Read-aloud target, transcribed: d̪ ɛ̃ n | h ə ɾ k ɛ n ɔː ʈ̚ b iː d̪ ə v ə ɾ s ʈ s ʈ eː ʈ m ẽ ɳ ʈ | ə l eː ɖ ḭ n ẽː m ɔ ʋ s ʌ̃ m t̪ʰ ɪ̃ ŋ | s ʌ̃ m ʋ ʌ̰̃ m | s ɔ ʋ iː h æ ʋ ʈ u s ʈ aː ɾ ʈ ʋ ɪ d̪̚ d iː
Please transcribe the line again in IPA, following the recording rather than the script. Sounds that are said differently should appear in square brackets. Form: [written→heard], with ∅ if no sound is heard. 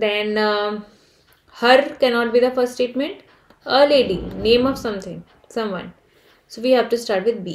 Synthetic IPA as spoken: d̪ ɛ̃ n | h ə ɾ k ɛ n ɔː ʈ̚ b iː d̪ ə [v→f] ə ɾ s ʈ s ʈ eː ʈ m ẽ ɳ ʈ | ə l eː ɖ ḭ n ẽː m ɔ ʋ s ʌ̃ m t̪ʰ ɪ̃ ŋ | s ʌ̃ m ʋ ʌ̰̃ [m→n] | s [ɔ→o] ʋ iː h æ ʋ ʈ u s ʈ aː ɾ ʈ ʋ ɪ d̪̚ [d→b] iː